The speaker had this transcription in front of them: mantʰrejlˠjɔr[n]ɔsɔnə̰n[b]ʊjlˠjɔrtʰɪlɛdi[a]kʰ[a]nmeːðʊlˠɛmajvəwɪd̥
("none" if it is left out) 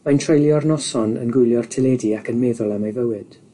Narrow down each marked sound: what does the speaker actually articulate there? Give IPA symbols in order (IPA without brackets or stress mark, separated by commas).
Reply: n, ɡ, a, ə